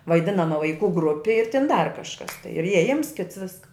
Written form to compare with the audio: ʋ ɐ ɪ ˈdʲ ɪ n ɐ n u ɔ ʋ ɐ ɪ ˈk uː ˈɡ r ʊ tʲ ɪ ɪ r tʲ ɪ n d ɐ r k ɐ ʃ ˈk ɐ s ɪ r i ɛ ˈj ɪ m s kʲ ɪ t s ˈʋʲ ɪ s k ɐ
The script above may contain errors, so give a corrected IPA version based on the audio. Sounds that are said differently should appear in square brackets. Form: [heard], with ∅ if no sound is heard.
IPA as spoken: ʋ ɐ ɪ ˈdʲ ɪ n ɐ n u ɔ ʋ ɐ ɪ ˈk uː ˈɡ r ʊ [pʲ] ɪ ɪ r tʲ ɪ n d ɐ r k ɐ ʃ ˈk ɐ s ɪ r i ɛ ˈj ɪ m s kʲ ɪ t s ˈʋʲ ɪ s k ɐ